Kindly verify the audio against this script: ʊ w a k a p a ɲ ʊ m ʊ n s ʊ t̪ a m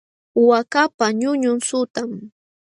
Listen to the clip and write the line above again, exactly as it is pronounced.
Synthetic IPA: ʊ w a k a p a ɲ ʊ ɲ ʊ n s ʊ t̪ a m